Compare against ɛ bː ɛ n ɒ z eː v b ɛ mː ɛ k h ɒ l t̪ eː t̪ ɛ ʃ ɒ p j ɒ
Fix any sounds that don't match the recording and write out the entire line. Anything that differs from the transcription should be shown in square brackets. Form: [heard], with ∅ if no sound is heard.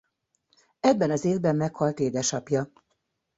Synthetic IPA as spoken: ɛ bː ɛ n ɒ z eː v b ɛ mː ɛ k h ɒ l t̪ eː [d̪] ɛ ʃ ɒ p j ɒ